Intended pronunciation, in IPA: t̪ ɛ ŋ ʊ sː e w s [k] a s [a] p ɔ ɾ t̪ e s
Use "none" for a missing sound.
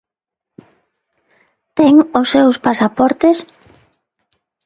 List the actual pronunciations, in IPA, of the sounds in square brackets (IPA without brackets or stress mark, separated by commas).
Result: p, a